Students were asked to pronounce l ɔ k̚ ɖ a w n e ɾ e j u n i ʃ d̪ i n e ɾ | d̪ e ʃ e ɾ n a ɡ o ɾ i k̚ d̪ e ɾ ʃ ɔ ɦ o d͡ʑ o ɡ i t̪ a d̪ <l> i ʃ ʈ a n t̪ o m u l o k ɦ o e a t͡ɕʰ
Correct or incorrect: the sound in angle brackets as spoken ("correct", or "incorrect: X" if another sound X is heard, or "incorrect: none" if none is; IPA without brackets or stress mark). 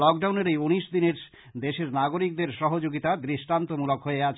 incorrect: ɾ